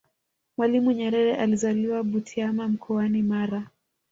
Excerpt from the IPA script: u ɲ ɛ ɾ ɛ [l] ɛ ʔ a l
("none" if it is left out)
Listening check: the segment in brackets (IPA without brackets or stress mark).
ɾ